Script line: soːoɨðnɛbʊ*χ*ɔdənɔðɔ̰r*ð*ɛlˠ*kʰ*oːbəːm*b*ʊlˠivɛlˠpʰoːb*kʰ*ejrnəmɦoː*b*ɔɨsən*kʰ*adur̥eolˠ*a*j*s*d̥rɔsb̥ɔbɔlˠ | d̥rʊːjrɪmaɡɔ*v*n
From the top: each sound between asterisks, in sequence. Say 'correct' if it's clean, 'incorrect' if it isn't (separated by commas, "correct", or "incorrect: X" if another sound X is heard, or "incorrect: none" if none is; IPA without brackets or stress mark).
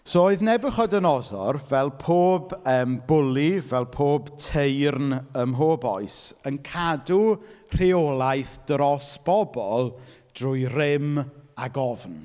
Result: correct, incorrect: v, incorrect: pʰ, correct, incorrect: tʰ, correct, correct, correct, incorrect: θ, correct